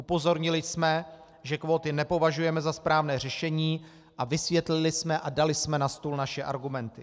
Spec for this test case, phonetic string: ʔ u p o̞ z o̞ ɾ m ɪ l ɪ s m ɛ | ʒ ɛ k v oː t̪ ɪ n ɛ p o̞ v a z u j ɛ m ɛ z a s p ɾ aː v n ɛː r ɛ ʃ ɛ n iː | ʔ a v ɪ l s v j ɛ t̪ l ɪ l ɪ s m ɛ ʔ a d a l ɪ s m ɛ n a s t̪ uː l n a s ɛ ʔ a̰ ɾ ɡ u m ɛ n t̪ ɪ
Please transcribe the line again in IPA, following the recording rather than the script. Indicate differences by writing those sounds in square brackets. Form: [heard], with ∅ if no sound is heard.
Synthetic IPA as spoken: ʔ u p o̞ z o̞ ɾ [ɲ] ɪ l ɪ s m ɛ | ʒ ɛ k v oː t̪ ɪ n ɛ p o̞ v a [ʒ] u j ɛ m ɛ z a s p ɾ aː v n ɛː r ɛ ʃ ɛ [ɲ] iː | ʔ a v ɪ [∅] s v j ɛ t̪ l ɪ l ɪ s m ɛ ʔ a d a l ɪ s m ɛ n a s t̪ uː l n a [ʃ] ɛ ʔ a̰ ɾ ɡ u m ɛ n t̪ ɪ